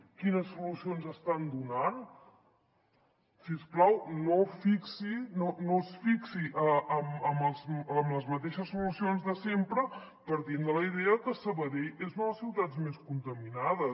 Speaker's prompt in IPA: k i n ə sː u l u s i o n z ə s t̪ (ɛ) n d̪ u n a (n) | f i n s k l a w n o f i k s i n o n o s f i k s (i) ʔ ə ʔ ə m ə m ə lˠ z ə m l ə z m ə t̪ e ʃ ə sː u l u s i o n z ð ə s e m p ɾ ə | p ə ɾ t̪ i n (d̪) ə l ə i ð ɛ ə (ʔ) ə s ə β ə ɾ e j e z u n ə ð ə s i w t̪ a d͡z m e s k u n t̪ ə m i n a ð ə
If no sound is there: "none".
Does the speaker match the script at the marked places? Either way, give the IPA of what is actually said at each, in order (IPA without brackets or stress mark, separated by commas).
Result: a, n, i, d̪, k